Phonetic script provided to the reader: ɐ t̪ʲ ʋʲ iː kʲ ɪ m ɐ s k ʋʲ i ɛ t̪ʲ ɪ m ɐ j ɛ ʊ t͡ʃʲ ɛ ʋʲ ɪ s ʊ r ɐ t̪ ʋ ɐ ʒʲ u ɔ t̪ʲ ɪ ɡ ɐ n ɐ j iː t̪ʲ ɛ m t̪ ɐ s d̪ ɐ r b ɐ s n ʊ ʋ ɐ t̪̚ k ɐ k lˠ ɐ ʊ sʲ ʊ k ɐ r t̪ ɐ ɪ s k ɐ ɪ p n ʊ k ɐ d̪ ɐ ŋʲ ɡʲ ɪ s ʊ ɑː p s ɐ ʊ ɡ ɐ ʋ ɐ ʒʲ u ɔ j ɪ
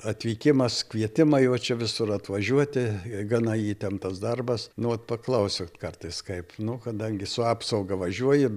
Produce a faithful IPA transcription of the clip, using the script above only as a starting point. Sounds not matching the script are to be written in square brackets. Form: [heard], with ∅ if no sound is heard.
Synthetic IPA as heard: ɐ t̪ʲ ʋʲ iː kʲ ɪ m ɐ s k ʋʲ i ɛ t̪ʲ ɪ m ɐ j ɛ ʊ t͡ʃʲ ɛ ʋʲ ɪ s ʊ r ɐ t̪ ʋ ɐ ʒʲ u ɔ t̪ʲ ɪ ɡ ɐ n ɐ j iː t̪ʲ ɛ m t̪ ɐ s d̪ ɐ r b ɐ s n ʊ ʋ ɐ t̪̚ [p] ɐ k lˠ ɐ ʊ sʲ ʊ k ɐ r t̪ ɐ ɪ s k ɐ ɪ p n ʊ k ɐ d̪ ɐ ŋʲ ɡʲ ɪ s ʊ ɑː p s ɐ ʊ ɡ ɐ ʋ ɐ ʒʲ u ɔ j ɪ